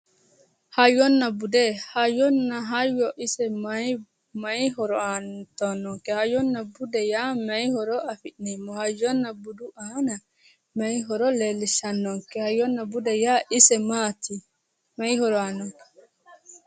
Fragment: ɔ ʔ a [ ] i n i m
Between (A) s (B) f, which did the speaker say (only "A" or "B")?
B